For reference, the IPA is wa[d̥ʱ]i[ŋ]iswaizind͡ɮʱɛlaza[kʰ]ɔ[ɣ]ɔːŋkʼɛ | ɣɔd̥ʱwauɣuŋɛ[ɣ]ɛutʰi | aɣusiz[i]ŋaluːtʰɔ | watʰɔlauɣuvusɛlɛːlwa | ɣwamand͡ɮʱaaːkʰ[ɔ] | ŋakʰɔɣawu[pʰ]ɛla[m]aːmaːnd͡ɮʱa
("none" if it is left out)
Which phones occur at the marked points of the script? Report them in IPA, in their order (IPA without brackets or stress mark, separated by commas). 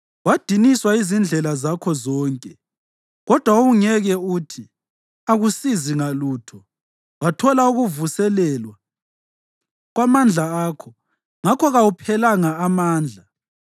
d̥ʱ, n, kʰ, z, ɣ, i, ɔ, pʰ, ŋ